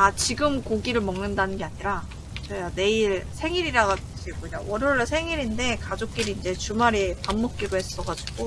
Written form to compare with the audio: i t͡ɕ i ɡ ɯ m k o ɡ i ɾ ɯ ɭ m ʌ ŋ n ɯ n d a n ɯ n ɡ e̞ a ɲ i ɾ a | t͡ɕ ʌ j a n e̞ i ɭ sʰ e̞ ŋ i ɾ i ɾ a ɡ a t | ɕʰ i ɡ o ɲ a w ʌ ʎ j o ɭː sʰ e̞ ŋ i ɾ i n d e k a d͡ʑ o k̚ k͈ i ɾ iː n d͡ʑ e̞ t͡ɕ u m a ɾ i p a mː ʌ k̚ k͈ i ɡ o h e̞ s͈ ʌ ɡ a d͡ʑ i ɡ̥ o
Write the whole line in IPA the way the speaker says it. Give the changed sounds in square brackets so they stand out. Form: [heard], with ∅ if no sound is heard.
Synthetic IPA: [a] t͡ɕ i ɡ ɯ m k o ɡ i ɾ ɯ ɭ m ʌ ŋ n ɯ n d a n ɯ n ɡ e̞ a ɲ i ɾ a | t͡ɕ ʌ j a n e̞ i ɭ sʰ e̞ ŋ i ɾ i ɾ a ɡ a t | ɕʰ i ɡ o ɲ a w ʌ [ɾ] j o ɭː sʰ e̞ ŋ i ɾ i n d e k a d͡ʑ o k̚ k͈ i ɾ iː n d͡ʑ e̞ t͡ɕ u m a ɾ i p a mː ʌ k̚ k͈ i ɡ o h e̞ s͈ ʌ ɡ a d͡ʑ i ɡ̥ o